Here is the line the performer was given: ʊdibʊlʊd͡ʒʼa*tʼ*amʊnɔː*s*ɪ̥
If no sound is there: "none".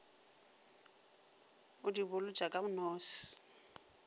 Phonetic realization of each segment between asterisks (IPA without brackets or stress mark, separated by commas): kʼ, s